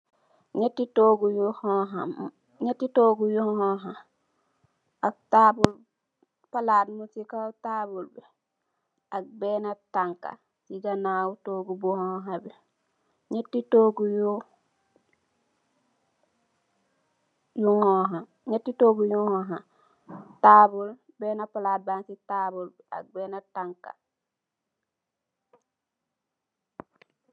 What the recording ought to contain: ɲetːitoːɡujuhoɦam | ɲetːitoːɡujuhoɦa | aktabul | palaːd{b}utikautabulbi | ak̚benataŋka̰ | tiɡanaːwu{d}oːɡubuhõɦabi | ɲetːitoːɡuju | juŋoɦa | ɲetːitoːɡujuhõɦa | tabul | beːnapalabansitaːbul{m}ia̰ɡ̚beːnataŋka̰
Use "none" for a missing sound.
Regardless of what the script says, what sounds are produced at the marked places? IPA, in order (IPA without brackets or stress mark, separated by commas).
m, t, b